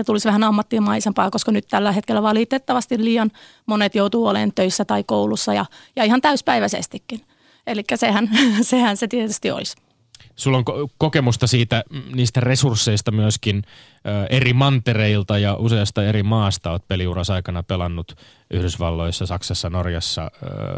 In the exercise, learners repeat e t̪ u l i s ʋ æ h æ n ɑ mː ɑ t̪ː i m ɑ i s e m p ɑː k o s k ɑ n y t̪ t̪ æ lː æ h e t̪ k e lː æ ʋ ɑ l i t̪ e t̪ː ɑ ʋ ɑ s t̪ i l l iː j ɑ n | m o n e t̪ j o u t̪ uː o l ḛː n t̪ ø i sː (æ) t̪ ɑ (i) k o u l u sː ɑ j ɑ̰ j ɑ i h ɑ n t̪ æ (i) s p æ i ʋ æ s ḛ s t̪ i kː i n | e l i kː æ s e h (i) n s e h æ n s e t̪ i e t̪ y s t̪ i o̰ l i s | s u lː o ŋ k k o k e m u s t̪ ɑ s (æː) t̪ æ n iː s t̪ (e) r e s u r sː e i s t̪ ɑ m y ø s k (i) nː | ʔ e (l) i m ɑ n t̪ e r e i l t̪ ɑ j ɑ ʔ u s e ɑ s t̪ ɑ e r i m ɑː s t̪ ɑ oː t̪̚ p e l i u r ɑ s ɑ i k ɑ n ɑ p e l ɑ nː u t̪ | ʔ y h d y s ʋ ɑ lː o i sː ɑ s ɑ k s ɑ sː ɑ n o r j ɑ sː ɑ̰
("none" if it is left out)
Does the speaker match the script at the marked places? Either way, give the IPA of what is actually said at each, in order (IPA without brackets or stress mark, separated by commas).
æ, i, y, æ, iː, æ, i, r